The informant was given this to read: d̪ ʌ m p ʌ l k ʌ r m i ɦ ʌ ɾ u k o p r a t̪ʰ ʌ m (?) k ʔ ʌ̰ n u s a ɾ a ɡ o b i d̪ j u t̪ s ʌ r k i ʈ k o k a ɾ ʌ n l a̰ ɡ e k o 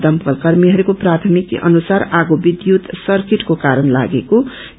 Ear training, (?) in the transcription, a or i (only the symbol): i